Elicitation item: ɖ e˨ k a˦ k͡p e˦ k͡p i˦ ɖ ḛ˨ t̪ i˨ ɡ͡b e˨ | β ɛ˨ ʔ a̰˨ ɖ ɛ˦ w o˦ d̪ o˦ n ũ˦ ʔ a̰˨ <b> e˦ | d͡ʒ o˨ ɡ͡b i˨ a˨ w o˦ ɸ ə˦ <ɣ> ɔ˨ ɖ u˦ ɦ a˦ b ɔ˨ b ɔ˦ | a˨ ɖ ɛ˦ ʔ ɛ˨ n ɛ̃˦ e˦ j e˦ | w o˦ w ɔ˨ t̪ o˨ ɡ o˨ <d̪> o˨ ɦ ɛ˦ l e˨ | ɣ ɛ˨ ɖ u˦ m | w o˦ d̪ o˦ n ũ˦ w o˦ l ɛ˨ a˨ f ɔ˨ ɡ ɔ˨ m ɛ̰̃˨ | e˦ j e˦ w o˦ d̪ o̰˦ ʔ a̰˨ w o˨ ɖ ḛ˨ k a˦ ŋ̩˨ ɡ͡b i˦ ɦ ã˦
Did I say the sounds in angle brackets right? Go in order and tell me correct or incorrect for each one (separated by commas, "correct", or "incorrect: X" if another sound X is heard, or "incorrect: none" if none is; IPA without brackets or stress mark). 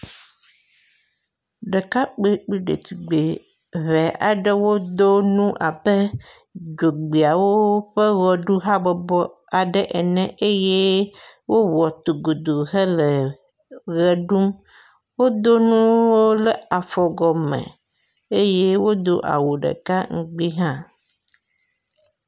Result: correct, correct, correct